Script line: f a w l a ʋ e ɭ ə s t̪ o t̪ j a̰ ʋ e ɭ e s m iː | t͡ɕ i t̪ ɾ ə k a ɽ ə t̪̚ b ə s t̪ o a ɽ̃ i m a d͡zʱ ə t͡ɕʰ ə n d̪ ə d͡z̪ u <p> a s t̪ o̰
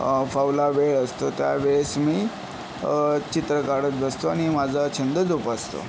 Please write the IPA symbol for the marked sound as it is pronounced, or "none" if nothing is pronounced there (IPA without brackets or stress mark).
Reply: p